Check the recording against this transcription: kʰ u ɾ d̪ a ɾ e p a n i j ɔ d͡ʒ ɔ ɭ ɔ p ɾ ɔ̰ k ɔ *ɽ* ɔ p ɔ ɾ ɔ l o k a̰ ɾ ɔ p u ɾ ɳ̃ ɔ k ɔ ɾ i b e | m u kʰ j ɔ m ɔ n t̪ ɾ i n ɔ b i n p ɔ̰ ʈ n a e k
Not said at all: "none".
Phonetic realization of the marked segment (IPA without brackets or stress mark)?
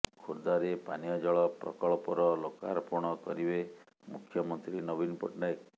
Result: ɭ